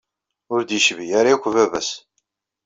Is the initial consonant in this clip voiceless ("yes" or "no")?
no